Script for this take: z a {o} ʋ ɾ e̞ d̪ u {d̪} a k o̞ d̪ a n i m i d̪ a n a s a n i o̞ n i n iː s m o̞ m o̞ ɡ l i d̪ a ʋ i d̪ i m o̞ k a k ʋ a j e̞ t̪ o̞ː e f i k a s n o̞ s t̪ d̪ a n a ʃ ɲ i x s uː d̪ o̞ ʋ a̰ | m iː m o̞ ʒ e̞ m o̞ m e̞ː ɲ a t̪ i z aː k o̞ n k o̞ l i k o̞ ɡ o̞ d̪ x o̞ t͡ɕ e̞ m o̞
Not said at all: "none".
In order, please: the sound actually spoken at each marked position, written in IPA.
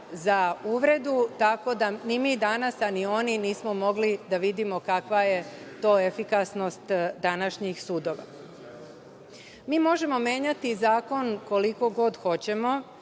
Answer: u, t̪

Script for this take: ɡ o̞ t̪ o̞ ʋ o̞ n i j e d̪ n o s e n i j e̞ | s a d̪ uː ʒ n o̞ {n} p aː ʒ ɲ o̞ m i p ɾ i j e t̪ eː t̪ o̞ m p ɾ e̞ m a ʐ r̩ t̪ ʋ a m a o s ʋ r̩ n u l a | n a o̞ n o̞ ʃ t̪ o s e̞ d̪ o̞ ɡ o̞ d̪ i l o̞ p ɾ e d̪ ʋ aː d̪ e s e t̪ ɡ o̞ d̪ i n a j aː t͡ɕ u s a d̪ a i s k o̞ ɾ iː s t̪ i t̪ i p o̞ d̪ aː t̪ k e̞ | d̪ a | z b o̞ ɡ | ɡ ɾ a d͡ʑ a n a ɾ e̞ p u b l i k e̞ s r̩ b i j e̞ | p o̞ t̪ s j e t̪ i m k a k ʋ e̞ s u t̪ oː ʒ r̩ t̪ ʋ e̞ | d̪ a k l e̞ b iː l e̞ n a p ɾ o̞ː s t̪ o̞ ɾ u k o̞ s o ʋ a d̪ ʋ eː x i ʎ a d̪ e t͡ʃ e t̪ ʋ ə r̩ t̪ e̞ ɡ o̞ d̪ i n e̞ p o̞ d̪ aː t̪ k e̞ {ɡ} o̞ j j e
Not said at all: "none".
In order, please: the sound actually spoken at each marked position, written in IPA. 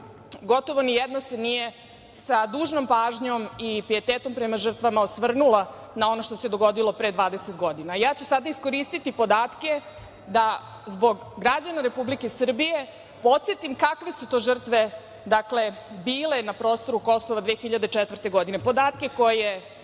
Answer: m, k

